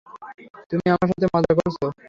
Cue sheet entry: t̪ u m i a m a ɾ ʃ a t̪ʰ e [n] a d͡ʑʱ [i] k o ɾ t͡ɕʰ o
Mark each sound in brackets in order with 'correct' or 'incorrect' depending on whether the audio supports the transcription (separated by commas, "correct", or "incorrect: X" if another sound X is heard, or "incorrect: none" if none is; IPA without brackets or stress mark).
incorrect: m, incorrect: a